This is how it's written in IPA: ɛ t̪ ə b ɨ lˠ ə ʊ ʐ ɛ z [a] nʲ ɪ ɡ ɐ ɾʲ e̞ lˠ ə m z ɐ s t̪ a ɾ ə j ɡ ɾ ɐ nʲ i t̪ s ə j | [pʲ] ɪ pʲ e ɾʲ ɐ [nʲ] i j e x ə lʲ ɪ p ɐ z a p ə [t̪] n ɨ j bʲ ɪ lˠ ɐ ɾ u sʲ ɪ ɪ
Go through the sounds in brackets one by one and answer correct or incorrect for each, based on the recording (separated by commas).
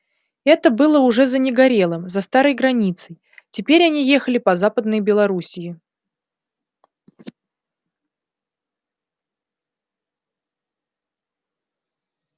incorrect, incorrect, correct, incorrect